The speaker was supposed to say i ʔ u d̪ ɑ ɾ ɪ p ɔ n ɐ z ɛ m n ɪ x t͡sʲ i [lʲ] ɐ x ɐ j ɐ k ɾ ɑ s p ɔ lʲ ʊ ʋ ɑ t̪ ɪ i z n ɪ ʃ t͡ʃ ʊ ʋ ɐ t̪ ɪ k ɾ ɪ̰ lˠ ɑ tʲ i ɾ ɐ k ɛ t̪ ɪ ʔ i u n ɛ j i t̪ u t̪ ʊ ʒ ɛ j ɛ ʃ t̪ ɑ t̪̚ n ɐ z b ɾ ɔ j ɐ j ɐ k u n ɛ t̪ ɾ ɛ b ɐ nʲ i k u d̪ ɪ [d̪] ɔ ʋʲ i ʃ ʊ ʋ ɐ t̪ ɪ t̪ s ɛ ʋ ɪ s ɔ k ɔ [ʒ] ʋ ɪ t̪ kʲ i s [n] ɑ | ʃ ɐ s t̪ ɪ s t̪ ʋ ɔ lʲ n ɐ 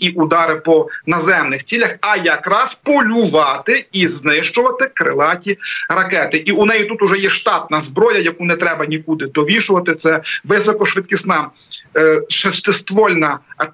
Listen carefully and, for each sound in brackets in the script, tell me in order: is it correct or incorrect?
correct, correct, incorrect: ʃ, correct

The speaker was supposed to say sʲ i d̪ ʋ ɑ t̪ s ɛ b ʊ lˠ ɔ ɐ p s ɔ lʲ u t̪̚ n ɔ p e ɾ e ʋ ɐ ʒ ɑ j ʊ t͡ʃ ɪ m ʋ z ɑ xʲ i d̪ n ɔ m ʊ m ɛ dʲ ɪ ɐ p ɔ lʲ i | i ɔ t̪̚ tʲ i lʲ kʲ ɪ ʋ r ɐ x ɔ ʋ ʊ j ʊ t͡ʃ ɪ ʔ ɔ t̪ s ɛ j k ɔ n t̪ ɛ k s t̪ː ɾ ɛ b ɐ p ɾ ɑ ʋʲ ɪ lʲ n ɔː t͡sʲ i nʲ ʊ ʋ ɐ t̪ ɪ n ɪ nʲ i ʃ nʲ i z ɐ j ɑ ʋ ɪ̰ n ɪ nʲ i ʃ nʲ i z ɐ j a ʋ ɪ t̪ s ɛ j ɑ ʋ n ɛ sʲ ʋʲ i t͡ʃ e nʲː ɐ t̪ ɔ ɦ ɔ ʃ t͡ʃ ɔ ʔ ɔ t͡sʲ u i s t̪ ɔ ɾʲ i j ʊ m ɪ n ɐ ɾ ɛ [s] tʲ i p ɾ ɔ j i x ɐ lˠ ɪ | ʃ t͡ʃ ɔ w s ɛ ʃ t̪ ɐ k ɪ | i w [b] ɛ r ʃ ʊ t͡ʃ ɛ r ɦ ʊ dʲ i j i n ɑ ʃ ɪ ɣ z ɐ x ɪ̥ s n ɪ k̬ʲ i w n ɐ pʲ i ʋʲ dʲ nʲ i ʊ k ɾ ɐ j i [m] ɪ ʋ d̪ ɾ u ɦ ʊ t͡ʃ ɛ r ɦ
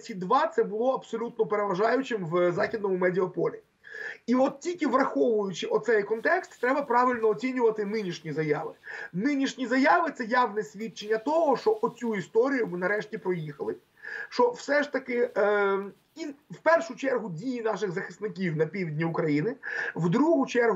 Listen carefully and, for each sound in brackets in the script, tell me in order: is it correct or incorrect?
incorrect: ʃ, incorrect: p, incorrect: n

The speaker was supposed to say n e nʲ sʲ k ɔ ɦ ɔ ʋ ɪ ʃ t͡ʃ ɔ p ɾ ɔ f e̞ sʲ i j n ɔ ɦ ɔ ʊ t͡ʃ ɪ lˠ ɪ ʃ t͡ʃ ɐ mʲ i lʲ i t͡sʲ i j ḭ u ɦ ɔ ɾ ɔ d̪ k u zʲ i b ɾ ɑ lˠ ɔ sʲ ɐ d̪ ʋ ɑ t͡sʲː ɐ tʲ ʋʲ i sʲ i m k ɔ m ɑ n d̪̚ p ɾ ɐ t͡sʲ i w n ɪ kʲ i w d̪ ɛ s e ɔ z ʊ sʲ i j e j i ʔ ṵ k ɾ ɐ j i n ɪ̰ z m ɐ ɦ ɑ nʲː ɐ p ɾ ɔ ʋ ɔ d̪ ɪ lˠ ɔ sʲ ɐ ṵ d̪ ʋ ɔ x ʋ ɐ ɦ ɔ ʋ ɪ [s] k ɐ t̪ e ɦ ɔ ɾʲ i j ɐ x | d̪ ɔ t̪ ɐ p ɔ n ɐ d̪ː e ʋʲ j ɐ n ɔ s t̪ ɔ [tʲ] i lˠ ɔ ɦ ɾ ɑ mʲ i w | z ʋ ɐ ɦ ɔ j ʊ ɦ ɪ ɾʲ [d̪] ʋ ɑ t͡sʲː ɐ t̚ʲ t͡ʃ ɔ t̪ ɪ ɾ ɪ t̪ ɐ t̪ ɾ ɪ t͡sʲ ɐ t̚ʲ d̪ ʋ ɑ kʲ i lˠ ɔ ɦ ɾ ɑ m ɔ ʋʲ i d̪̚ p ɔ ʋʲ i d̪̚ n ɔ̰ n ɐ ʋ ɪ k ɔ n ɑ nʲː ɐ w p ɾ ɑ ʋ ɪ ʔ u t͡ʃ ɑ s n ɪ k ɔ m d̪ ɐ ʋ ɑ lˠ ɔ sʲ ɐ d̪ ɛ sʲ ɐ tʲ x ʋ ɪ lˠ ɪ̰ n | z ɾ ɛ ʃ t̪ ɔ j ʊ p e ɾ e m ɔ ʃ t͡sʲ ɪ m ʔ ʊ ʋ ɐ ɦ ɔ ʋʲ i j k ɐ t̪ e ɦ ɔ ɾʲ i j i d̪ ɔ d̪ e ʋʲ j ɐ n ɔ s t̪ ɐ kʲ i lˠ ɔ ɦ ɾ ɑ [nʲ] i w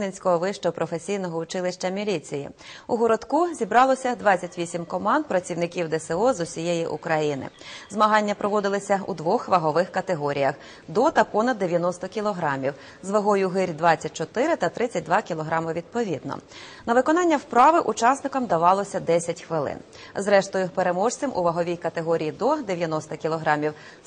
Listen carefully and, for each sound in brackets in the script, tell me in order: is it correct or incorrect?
incorrect: x, incorrect: kʲ, correct, incorrect: mʲ

